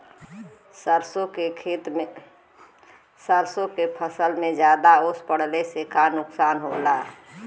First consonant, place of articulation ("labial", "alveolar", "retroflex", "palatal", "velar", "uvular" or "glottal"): alveolar